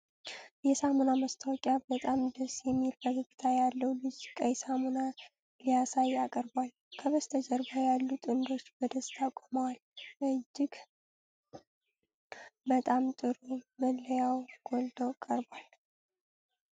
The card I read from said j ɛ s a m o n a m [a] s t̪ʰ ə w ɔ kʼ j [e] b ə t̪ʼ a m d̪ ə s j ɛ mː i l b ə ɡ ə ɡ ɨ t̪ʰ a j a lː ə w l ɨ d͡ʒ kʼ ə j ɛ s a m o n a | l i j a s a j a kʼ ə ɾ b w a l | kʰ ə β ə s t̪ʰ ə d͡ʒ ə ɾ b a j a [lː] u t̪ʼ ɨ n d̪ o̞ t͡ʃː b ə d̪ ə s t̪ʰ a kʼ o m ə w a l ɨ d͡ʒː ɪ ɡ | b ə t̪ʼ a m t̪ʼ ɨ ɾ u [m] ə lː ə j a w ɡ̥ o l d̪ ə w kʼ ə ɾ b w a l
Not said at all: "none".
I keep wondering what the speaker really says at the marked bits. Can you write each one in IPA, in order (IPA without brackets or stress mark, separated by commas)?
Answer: ə, a, lː, m